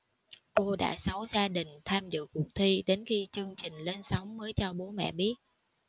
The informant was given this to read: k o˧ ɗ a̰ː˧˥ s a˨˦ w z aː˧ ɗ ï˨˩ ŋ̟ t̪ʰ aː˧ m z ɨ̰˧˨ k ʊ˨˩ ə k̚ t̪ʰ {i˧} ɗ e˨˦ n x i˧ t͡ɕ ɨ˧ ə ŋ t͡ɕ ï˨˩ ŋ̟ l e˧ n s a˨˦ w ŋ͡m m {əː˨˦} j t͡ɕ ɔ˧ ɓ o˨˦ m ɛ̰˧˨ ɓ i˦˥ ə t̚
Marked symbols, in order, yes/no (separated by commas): yes, yes